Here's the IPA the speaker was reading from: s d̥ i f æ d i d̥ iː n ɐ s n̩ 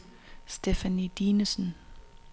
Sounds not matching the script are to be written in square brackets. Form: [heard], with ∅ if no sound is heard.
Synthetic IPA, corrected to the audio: s d̥ [e] f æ [n] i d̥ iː n [ə] s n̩